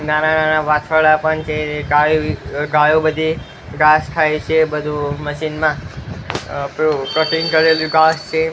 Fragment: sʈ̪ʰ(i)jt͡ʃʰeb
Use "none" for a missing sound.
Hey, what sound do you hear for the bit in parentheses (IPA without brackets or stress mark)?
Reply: a